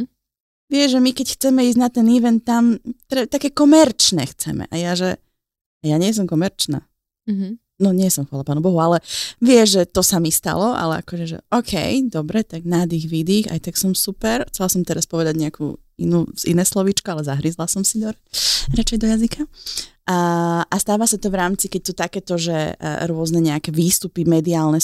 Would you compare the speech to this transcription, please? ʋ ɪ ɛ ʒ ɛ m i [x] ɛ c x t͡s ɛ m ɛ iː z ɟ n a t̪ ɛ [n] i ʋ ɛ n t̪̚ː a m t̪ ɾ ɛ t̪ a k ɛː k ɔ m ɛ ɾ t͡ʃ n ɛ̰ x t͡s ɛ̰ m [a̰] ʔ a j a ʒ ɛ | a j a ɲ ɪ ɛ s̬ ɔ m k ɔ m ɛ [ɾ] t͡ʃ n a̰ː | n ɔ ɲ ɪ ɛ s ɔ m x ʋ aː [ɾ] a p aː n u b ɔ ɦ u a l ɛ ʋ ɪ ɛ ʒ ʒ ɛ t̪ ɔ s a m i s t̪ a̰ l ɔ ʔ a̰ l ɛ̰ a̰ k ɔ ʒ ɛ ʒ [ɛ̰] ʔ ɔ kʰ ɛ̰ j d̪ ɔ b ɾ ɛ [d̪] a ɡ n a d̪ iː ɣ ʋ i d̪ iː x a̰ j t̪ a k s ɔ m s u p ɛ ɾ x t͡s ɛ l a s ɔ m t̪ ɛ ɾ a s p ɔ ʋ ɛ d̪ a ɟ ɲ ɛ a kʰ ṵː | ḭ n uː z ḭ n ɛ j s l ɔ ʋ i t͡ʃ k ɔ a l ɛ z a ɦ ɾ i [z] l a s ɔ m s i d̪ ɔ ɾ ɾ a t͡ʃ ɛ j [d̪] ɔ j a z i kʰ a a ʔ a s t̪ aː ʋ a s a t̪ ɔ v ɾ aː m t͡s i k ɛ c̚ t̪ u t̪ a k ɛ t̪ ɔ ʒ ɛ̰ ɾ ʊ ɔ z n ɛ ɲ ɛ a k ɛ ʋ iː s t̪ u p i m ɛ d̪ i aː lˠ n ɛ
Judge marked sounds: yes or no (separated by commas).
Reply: no, yes, no, yes, no, yes, no, yes, yes